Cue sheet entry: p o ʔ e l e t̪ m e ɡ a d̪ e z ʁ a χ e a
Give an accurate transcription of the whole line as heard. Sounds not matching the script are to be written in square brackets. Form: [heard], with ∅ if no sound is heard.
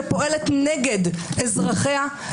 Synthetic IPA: p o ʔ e l e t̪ [n] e ɡ [e] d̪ e z ʁ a χ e a

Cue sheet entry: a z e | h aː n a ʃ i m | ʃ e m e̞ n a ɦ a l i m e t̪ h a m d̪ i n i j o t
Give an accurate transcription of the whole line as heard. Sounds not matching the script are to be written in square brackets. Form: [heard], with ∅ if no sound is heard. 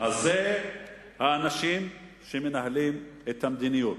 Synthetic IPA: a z e | h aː n a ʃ i m | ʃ e m e̞ n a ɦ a l i m e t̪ h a m d̪ i n i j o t

